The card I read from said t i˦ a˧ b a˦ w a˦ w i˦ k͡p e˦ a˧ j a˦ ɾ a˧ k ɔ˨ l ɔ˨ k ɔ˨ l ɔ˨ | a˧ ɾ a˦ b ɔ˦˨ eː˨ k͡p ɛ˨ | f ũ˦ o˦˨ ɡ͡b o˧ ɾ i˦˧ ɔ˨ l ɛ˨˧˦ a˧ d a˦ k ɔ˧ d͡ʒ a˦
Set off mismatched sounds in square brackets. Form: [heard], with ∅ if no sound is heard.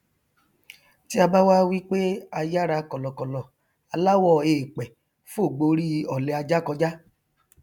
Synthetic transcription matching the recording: t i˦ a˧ b a˦ w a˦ w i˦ k͡p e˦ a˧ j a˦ ɾ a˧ k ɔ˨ l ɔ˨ k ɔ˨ l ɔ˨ | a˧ [l] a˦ [w] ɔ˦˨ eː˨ k͡p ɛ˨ | f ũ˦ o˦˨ ɡ͡b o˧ ɾ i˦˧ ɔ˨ l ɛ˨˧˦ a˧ [d͡ʒ] a˦ k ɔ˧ d͡ʒ a˦